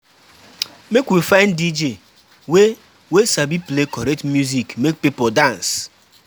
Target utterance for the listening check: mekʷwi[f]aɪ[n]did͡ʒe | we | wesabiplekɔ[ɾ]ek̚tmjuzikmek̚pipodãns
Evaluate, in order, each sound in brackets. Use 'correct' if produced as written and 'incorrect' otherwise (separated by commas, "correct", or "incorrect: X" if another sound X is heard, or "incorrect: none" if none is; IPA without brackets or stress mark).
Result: correct, correct, correct